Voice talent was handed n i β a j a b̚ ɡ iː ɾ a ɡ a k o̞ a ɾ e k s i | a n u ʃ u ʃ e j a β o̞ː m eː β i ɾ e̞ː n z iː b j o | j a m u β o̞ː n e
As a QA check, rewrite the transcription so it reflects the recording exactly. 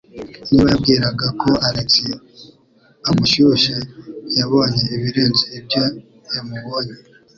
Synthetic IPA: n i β a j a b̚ ɡ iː ɾ a ɡ a k o̞ a ɾ e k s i | a m u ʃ u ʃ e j a β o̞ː ɲ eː β i ɾ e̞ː n z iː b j o | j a m u β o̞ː ɲ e